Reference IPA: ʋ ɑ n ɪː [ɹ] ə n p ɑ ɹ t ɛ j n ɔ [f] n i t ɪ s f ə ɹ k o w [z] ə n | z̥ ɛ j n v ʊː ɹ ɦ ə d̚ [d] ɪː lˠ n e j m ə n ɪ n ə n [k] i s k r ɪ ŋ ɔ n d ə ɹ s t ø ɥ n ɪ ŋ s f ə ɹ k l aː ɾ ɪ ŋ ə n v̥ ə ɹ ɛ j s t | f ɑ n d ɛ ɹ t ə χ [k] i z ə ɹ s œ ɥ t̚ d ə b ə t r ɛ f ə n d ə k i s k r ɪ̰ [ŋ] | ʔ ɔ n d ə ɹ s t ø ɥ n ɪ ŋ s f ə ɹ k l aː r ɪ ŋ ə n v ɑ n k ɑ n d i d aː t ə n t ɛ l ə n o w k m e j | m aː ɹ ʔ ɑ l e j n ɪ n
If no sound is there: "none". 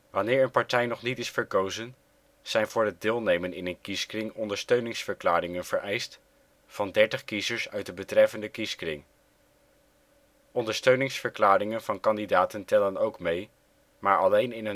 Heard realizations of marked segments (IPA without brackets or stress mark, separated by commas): ɹ, χ, z, d, k, k, ŋ